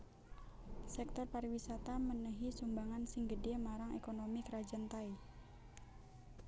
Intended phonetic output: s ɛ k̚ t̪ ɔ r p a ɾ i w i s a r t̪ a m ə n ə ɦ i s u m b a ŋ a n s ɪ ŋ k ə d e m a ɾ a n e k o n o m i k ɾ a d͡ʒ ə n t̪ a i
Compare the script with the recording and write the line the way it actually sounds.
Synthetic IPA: s ɛ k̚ t̪ ɔ r p a ɾ i w i s a t̪ a m ə n ə ɦ i s u m b a ŋ a n s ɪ ŋ ɡ ə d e m a ɾ a ŋ e k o n o m i k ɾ a d͡ʒ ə n t̪ a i